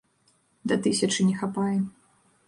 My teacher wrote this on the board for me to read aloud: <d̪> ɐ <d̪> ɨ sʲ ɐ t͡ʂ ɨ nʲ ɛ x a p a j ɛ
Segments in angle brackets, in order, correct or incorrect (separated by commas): correct, incorrect